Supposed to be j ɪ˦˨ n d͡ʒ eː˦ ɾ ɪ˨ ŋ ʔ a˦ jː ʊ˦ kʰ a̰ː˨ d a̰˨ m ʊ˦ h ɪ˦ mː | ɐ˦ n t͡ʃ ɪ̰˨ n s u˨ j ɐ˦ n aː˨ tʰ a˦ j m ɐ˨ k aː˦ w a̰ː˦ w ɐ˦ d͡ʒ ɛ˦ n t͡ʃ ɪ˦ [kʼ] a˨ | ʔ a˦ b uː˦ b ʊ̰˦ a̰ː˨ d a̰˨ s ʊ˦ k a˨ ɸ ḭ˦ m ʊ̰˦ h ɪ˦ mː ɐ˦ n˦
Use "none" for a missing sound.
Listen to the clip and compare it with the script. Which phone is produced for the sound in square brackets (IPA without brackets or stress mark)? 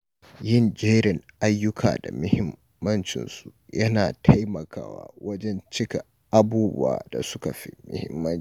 k